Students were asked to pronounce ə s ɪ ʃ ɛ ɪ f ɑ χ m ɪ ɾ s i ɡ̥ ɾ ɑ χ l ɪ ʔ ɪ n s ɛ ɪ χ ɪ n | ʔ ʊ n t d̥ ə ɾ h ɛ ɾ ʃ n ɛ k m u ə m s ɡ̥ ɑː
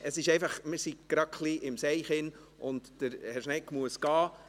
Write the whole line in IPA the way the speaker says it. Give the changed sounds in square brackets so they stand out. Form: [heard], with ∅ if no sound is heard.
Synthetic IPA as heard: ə s ɪ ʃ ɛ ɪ f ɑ χ m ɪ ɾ s i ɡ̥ ɾ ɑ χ l [i] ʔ ɪ [m] s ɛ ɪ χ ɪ n | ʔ ʊ n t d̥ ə ɾ h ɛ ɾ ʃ n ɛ k m u ə [∅] s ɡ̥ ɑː